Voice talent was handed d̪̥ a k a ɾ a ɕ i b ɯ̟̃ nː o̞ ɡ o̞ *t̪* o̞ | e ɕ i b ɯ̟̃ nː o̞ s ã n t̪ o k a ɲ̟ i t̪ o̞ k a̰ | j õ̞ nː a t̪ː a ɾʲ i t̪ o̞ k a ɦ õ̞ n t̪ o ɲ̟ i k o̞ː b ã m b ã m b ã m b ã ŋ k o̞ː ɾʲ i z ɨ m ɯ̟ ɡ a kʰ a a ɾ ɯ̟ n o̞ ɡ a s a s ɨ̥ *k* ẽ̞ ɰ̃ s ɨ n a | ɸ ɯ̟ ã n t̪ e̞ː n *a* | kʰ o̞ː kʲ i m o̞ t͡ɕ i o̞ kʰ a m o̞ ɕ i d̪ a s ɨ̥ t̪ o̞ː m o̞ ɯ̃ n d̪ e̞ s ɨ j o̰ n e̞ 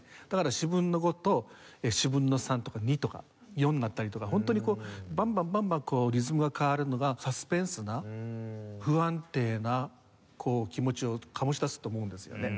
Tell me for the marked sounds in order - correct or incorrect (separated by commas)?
correct, incorrect, correct